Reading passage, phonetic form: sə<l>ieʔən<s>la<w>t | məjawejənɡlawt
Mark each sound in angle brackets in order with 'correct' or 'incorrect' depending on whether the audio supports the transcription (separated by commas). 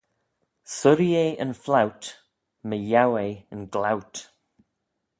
incorrect, incorrect, correct